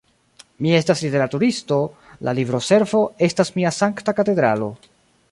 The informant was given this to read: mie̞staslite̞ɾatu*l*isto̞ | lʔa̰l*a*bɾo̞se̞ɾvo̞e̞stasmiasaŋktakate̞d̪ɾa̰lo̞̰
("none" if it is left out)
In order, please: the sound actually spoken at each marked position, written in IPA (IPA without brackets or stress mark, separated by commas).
ɾ, i